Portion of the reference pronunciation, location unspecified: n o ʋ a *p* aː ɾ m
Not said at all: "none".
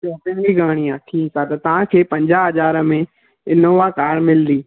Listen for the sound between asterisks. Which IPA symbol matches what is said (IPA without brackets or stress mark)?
k